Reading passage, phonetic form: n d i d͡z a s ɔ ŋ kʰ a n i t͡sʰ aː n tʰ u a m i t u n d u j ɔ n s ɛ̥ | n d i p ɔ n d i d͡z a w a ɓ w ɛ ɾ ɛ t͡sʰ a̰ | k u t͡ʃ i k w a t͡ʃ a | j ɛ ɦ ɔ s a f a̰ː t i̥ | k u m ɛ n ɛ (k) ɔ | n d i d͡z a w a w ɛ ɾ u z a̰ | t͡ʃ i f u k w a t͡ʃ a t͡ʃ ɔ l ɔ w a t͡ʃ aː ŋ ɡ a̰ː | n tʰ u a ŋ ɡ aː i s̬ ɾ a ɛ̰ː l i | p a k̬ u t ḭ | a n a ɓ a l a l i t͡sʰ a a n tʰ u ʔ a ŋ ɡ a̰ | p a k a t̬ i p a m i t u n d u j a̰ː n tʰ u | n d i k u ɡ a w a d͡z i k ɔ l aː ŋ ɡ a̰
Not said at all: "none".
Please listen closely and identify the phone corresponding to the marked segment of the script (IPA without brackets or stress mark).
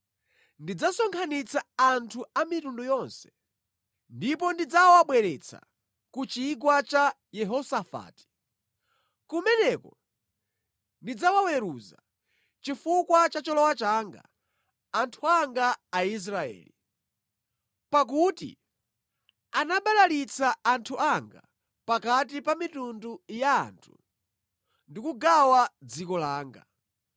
k